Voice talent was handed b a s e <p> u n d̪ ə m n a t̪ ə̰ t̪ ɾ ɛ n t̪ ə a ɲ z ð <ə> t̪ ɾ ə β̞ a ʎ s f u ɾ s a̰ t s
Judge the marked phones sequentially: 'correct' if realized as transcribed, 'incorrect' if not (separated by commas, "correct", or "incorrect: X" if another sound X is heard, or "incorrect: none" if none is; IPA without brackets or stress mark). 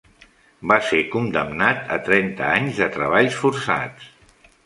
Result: incorrect: k, correct